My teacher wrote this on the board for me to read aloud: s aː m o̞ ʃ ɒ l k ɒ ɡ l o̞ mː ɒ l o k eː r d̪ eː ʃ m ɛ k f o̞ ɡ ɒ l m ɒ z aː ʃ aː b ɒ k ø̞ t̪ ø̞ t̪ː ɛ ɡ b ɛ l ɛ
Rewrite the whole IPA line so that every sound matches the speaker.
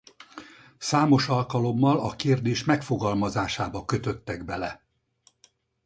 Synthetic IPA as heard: s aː m o̞ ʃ ɒ l k ɒ l o̞ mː ɒ l ɒ k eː r d̪ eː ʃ m ɛ k f o̞ ɡ ɒ l m ɒ z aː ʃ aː b ɒ k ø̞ t̪ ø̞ t̪ː ɛ ɡ b ɛ l ɛ